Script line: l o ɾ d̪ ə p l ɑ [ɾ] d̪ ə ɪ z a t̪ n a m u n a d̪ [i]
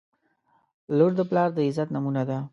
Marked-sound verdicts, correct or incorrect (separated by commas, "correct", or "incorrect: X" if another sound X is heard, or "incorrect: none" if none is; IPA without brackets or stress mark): correct, incorrect: a